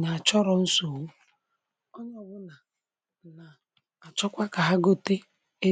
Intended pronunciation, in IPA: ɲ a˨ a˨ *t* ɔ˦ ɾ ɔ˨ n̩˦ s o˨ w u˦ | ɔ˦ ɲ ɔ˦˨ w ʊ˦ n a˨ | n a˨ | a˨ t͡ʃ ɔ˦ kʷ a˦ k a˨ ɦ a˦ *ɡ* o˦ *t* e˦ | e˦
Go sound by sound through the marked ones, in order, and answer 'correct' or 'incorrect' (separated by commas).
incorrect, correct, correct